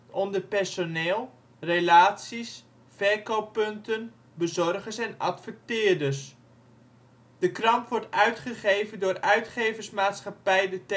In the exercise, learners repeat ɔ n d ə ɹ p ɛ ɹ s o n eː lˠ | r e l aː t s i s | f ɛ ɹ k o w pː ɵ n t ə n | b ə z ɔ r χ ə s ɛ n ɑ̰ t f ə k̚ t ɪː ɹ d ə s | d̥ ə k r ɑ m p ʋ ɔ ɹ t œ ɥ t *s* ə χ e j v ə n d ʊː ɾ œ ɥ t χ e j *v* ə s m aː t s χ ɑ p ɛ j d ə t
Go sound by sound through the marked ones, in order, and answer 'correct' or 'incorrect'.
incorrect: χ, correct

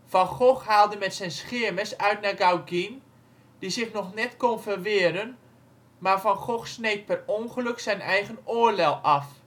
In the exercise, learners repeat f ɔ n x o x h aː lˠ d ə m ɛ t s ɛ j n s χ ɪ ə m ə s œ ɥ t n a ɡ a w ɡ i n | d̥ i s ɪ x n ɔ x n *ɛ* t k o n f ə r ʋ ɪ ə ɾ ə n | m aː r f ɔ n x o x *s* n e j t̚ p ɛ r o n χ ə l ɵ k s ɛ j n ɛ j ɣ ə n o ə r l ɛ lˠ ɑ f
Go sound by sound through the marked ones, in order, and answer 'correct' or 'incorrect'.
correct, correct

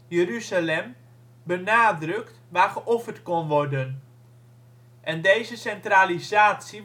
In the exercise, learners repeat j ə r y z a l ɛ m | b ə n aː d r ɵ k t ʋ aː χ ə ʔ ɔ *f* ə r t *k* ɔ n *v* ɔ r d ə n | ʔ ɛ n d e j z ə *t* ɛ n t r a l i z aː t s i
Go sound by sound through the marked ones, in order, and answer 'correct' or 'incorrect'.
correct, correct, incorrect: ʋ, incorrect: s

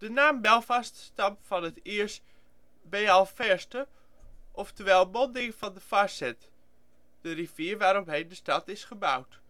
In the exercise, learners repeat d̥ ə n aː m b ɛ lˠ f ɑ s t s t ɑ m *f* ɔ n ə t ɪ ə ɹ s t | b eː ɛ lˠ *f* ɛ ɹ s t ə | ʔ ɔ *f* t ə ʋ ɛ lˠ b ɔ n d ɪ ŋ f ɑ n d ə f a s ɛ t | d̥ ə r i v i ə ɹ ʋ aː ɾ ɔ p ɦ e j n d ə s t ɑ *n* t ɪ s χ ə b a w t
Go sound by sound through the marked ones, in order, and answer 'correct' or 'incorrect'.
correct, correct, correct, incorrect: none

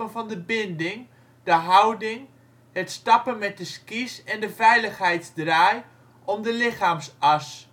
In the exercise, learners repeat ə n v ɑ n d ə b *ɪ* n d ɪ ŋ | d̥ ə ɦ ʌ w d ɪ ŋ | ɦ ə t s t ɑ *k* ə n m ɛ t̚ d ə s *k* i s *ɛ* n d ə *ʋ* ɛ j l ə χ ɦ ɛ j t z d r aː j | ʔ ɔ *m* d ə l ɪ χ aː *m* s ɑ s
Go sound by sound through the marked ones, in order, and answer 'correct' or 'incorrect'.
correct, incorrect: p, correct, correct, incorrect: v, correct, correct

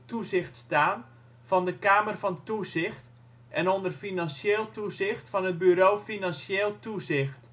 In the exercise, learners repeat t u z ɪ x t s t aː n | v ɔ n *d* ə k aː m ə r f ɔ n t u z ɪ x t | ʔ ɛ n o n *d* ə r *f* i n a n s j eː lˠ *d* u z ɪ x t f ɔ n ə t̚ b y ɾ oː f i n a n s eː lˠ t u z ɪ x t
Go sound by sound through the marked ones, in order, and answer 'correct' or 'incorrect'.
correct, correct, correct, incorrect: t

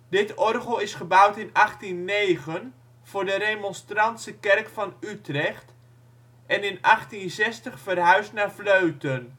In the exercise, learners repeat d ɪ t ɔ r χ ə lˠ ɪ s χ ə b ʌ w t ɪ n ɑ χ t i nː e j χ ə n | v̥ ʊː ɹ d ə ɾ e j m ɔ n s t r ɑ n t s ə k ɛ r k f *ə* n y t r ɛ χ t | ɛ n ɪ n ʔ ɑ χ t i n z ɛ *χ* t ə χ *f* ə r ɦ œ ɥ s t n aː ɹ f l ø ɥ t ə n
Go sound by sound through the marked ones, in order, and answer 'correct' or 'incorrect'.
incorrect: ɑ, incorrect: s, correct

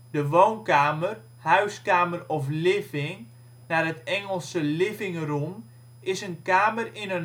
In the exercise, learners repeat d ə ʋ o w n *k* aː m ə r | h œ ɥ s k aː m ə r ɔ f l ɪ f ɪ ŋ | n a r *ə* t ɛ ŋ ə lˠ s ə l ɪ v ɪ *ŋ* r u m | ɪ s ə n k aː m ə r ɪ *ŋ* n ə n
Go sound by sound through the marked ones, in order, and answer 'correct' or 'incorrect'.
correct, correct, correct, incorrect: none

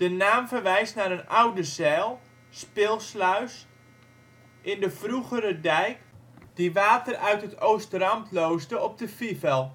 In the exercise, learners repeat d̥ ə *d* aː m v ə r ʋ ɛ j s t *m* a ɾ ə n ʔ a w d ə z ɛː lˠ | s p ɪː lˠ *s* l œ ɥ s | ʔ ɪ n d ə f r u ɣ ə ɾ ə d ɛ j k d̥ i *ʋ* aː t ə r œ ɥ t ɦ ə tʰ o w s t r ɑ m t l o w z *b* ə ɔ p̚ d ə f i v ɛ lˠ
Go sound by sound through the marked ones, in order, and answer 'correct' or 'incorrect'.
incorrect: n, incorrect: n, correct, correct, incorrect: d

